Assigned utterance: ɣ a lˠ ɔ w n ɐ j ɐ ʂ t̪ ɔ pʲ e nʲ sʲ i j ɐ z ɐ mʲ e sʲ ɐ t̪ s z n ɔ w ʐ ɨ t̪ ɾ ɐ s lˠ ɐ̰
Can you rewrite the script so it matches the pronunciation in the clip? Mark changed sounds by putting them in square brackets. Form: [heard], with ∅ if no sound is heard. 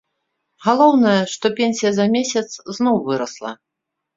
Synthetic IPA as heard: ɣ a lˠ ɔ w n ɐ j ɐ ʂ t̪ ɔ pʲ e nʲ sʲ i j ɐ z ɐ mʲ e sʲ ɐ t̪ s z n ɔ w [v] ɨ [∅] ɾ ɐ s lˠ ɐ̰